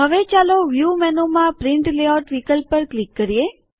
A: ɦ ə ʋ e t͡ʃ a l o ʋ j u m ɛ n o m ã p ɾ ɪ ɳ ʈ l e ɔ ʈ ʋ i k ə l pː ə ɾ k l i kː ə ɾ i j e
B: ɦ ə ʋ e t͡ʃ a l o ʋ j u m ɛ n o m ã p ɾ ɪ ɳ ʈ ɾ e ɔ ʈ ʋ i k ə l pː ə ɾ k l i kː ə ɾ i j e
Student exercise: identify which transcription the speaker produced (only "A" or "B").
A